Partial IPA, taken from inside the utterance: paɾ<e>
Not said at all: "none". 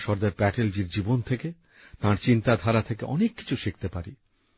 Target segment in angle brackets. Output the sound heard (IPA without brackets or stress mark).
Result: i